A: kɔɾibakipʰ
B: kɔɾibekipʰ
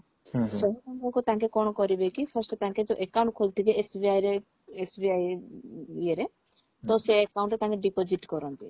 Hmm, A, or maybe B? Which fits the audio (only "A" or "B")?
B